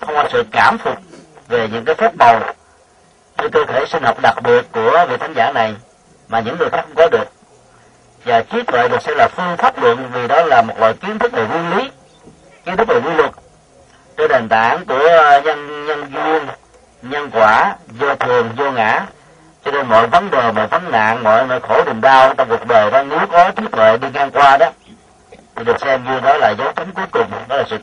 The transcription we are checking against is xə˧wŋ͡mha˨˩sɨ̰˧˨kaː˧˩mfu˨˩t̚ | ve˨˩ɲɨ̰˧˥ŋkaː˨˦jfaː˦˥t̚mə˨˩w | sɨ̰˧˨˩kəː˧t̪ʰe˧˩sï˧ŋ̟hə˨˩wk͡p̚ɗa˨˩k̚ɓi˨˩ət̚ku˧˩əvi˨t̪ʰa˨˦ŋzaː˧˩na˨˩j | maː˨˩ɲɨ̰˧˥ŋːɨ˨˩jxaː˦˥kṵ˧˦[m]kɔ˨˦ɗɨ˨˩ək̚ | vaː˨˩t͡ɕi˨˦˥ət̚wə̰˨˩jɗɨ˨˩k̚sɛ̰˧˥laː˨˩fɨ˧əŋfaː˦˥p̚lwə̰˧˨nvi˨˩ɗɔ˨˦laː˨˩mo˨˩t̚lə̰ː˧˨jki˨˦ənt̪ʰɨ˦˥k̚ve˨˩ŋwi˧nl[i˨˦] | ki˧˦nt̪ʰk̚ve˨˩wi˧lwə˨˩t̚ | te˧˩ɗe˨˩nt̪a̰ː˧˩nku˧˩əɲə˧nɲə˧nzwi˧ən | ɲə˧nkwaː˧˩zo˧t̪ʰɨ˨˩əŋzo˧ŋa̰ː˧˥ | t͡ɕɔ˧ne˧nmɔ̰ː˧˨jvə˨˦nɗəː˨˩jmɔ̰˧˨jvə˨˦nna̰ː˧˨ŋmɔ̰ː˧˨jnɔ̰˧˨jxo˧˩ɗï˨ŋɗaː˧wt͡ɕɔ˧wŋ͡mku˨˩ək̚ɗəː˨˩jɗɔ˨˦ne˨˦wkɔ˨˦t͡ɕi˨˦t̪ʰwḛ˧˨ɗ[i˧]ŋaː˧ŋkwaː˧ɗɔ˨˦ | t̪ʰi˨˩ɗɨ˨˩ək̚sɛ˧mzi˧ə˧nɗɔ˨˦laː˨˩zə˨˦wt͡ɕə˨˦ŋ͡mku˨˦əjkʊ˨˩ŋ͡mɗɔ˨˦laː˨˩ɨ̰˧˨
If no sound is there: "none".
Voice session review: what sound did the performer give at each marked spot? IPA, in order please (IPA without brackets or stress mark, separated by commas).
ŋ͡m, i˨˦, i˧